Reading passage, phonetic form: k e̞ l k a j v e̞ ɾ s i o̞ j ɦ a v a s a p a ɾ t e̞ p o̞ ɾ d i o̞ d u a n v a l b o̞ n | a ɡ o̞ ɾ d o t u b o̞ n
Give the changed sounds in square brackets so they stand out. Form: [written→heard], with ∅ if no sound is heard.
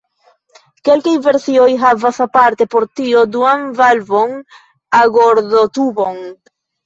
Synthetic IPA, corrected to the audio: k e̞ l k a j v e̞ ɾ s i o̞ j ɦ a v a s a p a ɾ t e̞ p o̞ ɾ [d→t] i o̞ d u a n v a l [b→v] o̞ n | a ɡ o̞ ɾ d o t u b o̞ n